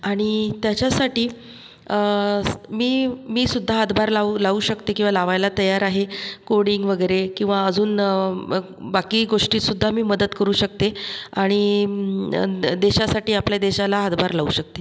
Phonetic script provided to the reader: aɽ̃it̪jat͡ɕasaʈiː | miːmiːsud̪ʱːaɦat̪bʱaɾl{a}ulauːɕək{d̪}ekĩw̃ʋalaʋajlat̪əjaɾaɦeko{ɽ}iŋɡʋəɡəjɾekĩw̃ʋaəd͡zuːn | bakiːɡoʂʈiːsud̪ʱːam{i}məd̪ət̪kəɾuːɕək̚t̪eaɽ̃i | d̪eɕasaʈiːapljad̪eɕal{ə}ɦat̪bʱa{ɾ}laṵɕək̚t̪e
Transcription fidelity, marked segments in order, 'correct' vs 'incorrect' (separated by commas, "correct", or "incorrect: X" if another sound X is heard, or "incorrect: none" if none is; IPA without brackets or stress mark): correct, incorrect: t̪, correct, incorrect: iː, incorrect: a, correct